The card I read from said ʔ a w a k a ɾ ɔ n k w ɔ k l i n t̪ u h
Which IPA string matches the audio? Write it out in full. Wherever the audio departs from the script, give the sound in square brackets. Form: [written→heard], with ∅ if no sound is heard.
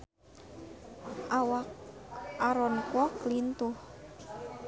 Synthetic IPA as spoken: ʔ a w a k a ɾ ɔ n k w ɔ k l i n t̪ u h